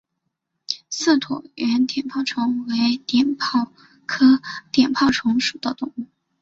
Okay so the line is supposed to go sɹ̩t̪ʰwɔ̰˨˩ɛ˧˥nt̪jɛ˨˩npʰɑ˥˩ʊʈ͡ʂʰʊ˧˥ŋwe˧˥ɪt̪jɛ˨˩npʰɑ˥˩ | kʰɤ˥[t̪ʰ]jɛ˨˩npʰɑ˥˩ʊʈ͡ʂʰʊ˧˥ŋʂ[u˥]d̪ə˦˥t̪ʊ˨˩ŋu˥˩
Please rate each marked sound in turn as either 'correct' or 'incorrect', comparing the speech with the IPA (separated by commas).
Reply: incorrect, incorrect